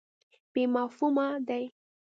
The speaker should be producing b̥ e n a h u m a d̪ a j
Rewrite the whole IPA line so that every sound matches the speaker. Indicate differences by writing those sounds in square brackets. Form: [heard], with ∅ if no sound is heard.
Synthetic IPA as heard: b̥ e [m] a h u m a d̪ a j